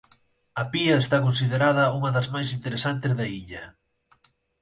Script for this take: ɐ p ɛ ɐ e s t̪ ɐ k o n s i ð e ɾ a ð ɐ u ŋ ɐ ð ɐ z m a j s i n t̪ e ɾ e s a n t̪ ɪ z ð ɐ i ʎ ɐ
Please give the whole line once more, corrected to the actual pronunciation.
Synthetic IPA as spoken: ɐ p i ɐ e s t̪ a k o n s i ð e ɾ a ð ɐ u ŋ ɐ ð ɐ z m a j s i n t̪ e ɾ e s a n t̪ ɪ z ð ɐ i ʎ ɐ